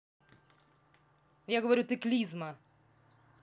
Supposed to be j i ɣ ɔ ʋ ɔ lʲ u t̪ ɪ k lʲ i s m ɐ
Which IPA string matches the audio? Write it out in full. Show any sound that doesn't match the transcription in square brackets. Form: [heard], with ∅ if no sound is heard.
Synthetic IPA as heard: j [a] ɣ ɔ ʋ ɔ [ɾʲ] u t̪ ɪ k lʲ i [z] m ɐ